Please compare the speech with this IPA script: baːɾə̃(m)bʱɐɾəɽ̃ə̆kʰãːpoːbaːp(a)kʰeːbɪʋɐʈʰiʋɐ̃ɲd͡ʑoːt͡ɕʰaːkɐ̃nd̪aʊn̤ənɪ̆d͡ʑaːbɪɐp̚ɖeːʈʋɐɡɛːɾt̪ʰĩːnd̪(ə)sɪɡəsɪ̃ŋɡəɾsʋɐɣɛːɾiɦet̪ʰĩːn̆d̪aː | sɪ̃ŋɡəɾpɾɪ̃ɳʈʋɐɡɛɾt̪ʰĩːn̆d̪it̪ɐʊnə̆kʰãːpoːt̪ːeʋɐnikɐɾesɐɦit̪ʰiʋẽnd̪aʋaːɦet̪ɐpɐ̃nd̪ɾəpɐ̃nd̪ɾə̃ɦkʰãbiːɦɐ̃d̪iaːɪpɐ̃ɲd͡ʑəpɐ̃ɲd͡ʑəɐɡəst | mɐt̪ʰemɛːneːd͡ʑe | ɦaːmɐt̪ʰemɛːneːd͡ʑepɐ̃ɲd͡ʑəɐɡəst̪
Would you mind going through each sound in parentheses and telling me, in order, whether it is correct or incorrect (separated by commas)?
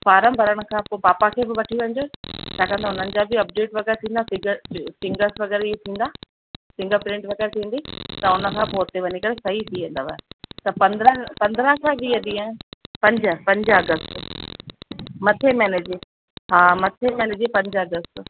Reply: correct, correct, incorrect